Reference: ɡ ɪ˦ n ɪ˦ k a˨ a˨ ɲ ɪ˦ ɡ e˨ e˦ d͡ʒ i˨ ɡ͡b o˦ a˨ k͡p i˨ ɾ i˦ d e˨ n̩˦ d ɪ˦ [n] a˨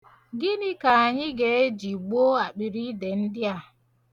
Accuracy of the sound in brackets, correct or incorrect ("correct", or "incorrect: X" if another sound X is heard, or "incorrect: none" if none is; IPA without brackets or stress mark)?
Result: incorrect: none